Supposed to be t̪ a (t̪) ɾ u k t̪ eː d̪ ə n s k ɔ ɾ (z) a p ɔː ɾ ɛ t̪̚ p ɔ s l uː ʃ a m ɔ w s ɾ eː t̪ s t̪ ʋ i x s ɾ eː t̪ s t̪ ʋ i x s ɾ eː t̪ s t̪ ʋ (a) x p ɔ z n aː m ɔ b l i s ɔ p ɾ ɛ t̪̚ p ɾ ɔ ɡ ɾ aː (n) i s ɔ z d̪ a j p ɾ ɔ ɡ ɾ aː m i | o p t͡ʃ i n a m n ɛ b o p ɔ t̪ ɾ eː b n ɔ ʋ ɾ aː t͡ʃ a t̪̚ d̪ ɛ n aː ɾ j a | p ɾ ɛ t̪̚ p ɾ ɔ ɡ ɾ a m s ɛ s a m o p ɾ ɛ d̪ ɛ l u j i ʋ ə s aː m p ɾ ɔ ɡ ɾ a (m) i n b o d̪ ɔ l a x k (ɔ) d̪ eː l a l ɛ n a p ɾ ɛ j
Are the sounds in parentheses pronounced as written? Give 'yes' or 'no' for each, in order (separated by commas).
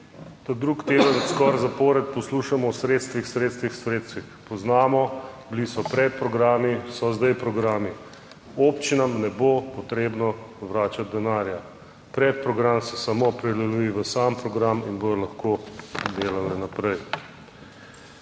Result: no, yes, no, no, yes, no